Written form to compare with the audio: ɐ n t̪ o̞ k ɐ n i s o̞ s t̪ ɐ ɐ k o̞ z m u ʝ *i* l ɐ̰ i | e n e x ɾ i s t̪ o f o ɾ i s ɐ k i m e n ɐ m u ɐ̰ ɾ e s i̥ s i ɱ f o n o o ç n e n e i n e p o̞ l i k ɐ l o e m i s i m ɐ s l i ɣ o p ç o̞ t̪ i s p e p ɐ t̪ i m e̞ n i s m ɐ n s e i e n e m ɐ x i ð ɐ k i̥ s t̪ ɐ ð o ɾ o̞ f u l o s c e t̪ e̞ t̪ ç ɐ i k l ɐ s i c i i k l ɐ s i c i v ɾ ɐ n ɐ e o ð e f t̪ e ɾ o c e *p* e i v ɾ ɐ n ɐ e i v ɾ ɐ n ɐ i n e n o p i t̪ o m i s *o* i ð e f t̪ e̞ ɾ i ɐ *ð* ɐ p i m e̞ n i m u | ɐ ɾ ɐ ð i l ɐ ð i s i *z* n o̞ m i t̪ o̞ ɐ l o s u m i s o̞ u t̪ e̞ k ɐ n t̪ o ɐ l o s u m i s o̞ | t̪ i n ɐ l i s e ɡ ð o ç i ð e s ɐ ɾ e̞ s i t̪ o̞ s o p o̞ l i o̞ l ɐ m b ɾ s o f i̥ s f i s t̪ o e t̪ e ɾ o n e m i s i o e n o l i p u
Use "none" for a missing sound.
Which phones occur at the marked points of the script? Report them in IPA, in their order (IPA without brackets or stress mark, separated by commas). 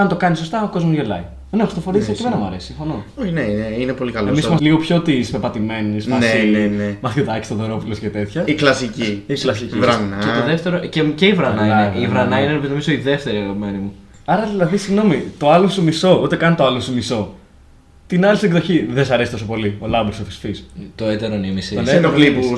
e, c, o, ɣ, ɣ